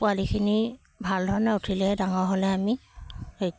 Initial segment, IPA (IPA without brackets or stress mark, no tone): p